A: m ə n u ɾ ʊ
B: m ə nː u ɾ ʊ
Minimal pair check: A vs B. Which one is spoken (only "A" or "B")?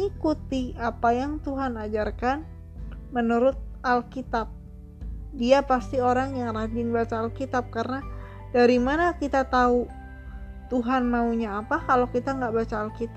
A